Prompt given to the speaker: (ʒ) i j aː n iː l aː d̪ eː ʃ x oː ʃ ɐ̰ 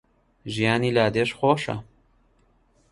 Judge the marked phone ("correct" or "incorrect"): correct